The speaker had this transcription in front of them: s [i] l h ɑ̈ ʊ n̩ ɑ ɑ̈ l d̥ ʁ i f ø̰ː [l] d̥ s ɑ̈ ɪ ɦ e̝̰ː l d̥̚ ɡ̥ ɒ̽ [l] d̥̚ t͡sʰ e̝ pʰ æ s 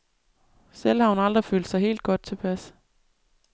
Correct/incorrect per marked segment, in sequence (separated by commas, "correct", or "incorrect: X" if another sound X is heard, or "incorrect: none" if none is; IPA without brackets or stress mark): incorrect: e, correct, incorrect: none